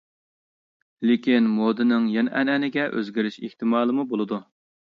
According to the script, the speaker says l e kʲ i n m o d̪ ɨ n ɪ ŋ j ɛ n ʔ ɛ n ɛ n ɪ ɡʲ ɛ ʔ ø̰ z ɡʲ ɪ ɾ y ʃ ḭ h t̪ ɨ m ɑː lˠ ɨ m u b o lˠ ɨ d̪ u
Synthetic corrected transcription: l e kʲ i n m o d̪ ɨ n ɪ ŋ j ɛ n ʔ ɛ n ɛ n ɪ ɡʲ ɛ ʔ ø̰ z ɡʲ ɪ ɾ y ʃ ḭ h t̪ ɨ m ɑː lˠ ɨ m u b o lˠ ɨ d̪ u